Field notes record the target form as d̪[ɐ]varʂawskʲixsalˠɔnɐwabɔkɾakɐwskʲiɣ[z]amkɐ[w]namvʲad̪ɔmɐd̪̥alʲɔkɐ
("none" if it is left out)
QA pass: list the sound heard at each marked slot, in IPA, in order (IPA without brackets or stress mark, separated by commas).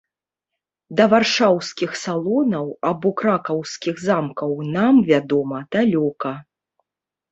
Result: ɐ, z, w